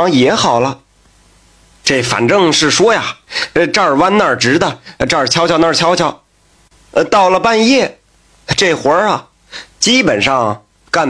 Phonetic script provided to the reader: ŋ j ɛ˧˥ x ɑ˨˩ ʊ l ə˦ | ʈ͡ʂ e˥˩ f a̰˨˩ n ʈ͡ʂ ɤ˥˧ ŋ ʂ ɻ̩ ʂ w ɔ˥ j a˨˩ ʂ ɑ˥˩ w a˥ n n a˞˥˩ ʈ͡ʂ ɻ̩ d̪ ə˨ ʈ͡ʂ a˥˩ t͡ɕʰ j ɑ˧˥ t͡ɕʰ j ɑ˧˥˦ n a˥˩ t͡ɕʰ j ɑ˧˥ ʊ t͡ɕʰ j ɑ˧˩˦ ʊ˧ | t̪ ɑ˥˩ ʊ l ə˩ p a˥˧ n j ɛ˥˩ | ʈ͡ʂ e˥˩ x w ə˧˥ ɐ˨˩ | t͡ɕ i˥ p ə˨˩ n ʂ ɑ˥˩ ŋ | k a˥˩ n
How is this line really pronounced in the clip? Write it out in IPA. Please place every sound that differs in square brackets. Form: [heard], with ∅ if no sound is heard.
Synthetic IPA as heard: ŋ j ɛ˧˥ x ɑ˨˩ ʊ l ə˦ | ʈ͡ʂ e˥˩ f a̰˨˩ n ʈ͡ʂ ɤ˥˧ ŋ ʂ ɻ̩ ʂ w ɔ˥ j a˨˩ [ʈ͡ʂ] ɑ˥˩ w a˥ n n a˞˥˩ ʈ͡ʂ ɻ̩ d̪ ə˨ ʈ͡ʂ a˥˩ t͡ɕʰ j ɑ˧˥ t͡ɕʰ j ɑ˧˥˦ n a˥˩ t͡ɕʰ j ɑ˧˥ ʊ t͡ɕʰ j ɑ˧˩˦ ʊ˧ | t̪ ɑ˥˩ ʊ l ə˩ p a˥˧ n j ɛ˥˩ | ʈ͡ʂ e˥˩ x w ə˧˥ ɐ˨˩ | t͡ɕ i˥ p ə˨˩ n ʂ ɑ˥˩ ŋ | k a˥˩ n